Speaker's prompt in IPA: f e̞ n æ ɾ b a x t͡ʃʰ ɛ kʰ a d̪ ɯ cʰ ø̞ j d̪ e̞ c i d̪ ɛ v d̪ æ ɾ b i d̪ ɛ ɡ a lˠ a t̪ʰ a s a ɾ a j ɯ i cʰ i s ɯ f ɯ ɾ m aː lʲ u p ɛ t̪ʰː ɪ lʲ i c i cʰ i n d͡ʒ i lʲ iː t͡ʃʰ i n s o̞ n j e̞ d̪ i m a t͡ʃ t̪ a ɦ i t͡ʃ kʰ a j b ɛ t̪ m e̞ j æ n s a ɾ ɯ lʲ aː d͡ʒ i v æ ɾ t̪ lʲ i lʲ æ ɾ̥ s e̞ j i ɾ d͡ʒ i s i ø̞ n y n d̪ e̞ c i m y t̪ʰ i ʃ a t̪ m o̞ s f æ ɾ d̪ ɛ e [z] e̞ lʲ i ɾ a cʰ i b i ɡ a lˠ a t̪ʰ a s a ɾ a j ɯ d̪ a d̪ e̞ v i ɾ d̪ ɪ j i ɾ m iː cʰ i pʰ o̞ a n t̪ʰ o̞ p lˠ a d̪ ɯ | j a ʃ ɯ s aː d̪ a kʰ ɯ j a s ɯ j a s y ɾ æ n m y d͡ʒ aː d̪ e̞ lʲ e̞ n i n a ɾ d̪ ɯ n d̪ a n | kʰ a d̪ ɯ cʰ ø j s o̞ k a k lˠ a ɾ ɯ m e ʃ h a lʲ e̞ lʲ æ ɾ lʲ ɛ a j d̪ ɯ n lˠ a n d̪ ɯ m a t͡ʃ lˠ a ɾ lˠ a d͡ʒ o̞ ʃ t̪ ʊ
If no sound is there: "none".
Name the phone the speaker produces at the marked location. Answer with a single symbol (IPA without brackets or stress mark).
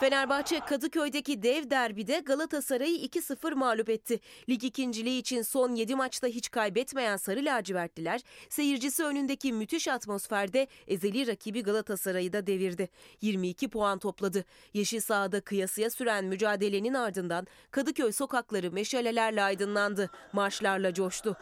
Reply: z